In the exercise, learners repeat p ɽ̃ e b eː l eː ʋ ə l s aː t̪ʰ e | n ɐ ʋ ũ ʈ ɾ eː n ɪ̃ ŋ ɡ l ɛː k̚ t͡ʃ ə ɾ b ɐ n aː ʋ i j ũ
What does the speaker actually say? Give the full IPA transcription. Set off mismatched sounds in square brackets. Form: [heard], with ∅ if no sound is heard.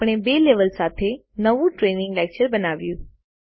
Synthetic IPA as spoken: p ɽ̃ e b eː l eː ʋ ə l s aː t̪ʰ e | n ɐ ʋ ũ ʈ ɾ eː n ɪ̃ ŋ ɡ l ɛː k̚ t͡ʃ ə ɾ b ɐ n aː ʋ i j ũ